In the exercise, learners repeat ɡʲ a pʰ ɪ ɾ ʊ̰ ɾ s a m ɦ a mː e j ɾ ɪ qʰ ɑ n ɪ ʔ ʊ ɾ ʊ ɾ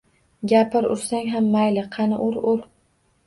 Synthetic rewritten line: ɡʲ a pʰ ɪ ɾ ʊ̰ ɾ s a ŋ ɦ a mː a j l ɪ qʰ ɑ n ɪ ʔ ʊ ɾ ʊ ɾ